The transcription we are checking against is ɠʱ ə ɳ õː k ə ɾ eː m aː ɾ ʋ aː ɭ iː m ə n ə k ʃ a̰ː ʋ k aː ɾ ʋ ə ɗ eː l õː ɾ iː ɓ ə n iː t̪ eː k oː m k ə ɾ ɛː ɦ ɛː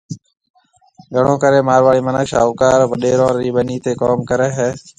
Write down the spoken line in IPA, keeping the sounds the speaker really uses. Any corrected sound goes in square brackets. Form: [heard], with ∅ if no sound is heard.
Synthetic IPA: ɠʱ ə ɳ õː k ə ɾ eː m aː ɾ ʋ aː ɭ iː m ə n ə k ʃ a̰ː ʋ k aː ɾ ʋ ə ɗ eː [ɾ] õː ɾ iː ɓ ə n iː t̪ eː k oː m k ə ɾ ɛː ɦ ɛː